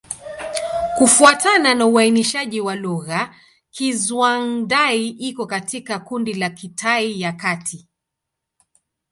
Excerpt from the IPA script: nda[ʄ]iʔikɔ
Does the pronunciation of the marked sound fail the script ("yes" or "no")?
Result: yes